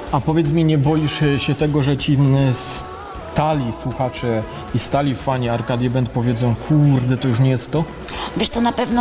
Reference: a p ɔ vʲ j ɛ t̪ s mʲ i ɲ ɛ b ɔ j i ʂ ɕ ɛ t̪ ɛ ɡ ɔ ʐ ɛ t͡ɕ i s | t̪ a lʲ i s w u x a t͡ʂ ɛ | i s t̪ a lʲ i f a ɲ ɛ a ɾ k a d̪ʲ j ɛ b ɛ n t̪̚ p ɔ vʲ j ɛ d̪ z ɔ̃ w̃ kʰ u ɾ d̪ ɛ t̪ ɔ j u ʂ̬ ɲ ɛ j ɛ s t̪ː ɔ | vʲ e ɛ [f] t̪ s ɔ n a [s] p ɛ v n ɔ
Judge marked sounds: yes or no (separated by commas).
no, no